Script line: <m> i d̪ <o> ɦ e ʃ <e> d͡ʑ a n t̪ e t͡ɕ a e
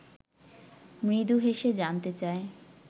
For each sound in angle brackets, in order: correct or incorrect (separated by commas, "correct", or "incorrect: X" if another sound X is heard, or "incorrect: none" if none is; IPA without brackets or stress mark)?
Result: correct, incorrect: u, correct